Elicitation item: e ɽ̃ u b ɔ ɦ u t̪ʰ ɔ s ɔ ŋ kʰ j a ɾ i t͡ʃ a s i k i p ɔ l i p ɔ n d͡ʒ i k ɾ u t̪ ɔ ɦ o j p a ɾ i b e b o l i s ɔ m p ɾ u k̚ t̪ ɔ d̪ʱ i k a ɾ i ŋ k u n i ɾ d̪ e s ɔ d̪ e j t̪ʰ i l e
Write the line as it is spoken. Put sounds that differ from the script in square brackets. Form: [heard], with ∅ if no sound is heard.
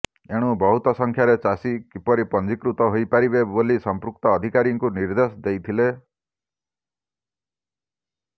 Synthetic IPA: e ɽ̃ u b ɔ ɦ u [t̪] ɔ s ɔ ŋ kʰ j a ɾ [e] t͡ʃ a s i k i p ɔ [ɾ] i p ɔ n d͡ʒ i k ɾ u t̪ ɔ ɦ o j p a ɾ i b e b o l i s ɔ m p ɾ u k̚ t̪ [ɔː] d̪ʱ i k a ɾ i ŋ k u n i ɾ d̪ e s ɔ d̪ e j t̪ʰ i l e